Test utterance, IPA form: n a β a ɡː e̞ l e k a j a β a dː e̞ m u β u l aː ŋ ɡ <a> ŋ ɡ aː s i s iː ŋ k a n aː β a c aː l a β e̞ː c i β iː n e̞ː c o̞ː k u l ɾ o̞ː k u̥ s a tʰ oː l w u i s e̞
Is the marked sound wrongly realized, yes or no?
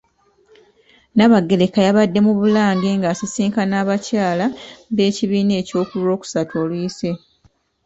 yes